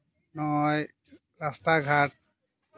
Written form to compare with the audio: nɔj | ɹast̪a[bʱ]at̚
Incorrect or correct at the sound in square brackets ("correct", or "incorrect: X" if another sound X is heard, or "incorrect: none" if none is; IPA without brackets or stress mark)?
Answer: incorrect: ɡʱ